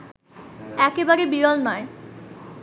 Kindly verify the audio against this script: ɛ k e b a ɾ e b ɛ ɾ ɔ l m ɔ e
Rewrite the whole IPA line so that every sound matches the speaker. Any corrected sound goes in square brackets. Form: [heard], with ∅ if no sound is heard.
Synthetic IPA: ɛ k e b a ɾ e b [i] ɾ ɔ l [n] ɔ e

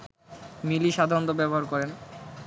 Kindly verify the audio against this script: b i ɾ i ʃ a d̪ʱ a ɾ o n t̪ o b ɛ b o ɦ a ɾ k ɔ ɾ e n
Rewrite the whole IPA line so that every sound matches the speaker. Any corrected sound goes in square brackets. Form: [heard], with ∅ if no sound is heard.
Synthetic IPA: [m] i [l] i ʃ a d̪ʱ a ɾ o n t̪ o b ɛ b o ɦ a ɾ k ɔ ɾ e n

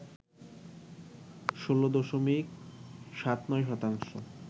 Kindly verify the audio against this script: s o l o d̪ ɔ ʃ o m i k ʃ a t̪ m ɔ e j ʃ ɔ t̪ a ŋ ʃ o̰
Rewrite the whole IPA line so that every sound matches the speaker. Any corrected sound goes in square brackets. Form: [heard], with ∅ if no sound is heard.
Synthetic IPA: [ʃ] o l o d̪ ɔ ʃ o m i k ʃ a t̪ [n] ɔ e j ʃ ɔ t̪ a ŋ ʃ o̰

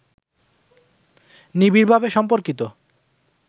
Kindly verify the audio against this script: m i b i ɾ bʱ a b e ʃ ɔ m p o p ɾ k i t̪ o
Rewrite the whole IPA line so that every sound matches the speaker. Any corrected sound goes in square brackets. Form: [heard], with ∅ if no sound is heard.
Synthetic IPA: [n] i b i ɾ bʱ a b e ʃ ɔ m p o [∅] ɾ k i t̪ o

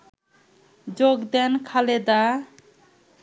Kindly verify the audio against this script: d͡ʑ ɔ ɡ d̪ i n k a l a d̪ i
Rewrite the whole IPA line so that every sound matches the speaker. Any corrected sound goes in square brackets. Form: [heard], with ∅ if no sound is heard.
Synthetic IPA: d͡ʑ [o] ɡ d̪ [ɛ] n [kʰ] a l [e] d̪ [a]

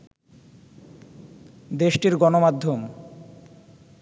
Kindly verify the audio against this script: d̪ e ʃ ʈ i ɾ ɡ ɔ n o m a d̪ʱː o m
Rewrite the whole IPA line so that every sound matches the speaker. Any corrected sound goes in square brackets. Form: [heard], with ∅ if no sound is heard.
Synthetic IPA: d̪ e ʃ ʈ i ɾ ɡ ɔ n o m a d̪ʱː o m

